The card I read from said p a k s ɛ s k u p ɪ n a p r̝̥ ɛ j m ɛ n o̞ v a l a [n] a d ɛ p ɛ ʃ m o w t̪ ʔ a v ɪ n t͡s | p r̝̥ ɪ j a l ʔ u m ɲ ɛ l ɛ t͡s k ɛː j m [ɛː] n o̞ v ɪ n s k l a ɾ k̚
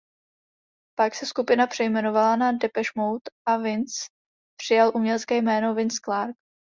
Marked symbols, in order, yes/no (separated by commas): yes, yes